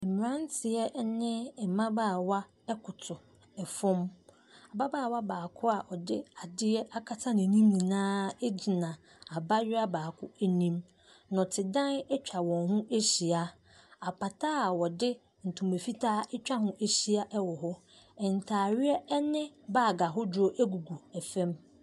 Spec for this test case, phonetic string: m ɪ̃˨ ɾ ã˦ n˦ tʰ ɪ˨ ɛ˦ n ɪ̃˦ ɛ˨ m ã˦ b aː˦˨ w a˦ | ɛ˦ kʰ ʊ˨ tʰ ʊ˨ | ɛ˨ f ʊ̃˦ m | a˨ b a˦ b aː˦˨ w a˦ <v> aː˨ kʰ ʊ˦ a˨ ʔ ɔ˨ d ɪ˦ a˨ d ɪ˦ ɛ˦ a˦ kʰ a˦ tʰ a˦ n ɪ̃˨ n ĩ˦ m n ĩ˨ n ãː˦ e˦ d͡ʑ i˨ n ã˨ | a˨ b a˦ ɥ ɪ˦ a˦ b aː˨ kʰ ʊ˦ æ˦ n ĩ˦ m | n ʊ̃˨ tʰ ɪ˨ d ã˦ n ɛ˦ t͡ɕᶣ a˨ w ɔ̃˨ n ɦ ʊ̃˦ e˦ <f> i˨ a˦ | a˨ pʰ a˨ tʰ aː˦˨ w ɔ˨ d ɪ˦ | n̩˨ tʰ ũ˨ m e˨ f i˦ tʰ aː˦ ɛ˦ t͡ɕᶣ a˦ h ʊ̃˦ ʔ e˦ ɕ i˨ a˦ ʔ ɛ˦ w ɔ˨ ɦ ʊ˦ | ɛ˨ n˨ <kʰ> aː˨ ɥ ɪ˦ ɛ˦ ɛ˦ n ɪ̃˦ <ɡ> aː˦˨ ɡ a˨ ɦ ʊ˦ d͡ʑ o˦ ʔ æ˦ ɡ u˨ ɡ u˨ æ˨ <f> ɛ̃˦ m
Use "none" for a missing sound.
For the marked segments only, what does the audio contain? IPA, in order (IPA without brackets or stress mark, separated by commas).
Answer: b, ɕ, tʰ, b, f